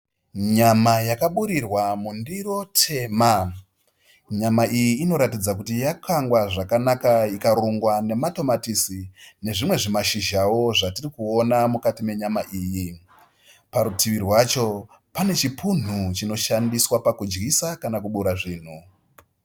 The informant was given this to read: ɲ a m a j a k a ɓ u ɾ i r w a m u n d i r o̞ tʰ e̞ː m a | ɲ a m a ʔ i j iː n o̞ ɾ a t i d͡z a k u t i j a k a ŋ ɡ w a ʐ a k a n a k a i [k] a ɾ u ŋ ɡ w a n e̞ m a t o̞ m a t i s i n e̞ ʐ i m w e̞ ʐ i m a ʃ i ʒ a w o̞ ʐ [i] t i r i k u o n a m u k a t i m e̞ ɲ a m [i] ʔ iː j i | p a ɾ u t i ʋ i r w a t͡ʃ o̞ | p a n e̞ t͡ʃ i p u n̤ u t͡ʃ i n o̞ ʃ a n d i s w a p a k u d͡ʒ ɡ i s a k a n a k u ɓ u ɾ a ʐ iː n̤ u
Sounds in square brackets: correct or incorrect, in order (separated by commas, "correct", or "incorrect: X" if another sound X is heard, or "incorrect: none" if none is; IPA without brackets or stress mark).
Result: correct, incorrect: a, incorrect: a